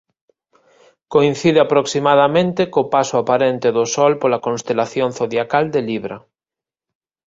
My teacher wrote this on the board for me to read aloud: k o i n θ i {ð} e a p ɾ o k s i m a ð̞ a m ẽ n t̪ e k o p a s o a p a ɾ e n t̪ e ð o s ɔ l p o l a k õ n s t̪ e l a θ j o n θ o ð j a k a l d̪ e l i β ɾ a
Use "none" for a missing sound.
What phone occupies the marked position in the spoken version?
ð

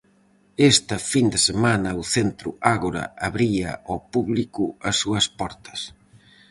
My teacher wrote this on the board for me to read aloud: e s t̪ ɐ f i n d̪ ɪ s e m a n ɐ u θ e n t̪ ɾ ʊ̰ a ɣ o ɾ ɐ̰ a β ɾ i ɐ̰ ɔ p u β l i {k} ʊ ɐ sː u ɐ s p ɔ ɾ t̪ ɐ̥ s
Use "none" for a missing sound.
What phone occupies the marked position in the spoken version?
k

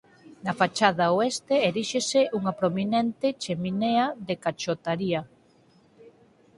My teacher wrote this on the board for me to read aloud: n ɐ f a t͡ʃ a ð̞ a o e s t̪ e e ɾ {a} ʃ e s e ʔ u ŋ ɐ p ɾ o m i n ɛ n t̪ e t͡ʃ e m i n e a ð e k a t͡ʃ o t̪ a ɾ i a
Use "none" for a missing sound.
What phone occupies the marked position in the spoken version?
i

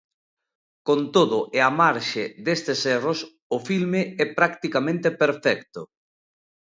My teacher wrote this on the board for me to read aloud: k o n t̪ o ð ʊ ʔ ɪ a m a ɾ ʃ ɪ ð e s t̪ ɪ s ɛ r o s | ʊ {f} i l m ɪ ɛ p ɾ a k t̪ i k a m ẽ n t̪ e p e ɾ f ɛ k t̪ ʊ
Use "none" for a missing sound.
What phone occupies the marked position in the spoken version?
f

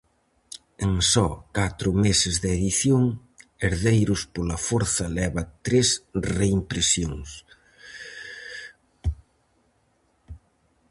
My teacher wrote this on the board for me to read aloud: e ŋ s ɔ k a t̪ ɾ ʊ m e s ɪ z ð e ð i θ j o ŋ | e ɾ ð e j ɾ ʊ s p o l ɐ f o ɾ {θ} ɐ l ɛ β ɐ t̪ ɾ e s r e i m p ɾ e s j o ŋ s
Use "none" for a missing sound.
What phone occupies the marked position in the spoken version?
θ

